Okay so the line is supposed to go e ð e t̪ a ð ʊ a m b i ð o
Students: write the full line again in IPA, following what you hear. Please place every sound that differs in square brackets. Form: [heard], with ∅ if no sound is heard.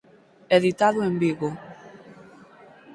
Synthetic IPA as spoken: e ð [i] t̪ a ð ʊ [e] m b i [ɣ] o